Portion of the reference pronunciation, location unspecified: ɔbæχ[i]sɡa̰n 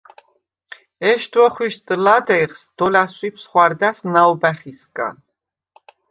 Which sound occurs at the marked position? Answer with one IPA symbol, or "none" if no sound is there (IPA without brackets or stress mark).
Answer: i